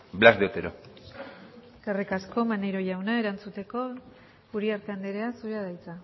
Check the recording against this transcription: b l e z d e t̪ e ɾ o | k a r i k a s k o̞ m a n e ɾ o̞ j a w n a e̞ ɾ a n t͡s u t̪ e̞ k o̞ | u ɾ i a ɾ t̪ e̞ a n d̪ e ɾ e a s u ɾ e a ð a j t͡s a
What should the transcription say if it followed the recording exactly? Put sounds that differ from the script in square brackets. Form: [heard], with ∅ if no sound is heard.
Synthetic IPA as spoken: b l [a] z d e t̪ e ɾ o | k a r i k a s k o̞ m a n e ɾ o̞ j a w n a e̞ ɾ a n t͡s u t̪ e̞ k o̞ | u ɾ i a ɾ t̪ e̞ a n d̪ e ɾ e a s u ɾ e a ð a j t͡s a